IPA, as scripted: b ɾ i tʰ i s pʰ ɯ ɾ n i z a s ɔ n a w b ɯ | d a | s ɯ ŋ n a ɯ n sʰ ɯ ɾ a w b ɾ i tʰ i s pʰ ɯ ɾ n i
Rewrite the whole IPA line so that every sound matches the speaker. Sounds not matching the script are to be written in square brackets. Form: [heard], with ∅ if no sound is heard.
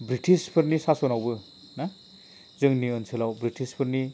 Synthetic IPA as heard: b ɾ i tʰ i s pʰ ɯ ɾ n i [s] a s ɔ n a w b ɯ | [n] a | [z] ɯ ŋ n [i] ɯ n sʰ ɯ [l] a w b ɾ i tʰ i s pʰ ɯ ɾ n i